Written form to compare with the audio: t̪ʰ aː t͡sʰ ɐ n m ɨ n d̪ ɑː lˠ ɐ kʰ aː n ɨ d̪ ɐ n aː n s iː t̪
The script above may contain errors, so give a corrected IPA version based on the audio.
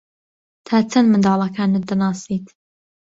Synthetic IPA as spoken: t̪ʰ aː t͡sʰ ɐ n m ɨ n d̪ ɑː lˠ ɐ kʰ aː n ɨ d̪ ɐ n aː s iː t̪